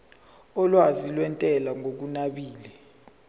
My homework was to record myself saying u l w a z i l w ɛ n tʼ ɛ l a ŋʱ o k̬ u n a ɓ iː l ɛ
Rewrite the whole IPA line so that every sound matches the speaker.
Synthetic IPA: ɔ l w a z i l w ɛ n tʼ ɛ l a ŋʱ o k̬ u n a ɓ iː l ɛ